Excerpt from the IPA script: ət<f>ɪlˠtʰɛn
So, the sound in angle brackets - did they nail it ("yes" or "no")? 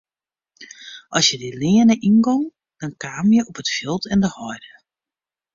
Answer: yes